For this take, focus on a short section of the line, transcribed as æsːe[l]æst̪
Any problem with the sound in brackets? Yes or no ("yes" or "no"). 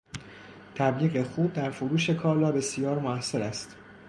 yes